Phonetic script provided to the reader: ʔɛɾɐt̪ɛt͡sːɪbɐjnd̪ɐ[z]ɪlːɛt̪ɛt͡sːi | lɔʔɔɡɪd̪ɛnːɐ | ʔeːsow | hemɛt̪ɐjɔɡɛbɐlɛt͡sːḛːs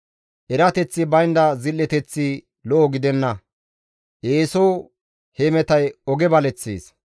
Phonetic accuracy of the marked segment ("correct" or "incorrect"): correct